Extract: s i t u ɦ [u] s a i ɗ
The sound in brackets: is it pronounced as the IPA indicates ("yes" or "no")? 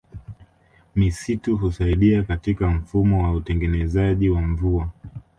yes